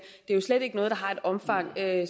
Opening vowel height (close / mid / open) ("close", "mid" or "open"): mid